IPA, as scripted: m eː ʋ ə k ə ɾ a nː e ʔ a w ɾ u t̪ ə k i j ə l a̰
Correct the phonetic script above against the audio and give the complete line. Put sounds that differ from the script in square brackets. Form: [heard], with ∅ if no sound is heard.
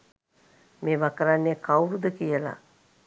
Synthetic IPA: m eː ʋ [a] k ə ɾ a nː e [k] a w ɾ u [d̪] ə k i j ə l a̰